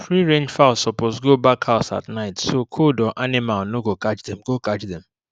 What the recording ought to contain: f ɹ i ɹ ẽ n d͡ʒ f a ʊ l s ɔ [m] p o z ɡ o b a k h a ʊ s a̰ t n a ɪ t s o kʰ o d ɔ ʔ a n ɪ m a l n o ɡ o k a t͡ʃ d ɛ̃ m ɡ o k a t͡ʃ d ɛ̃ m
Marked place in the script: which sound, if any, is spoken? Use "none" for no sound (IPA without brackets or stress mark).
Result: none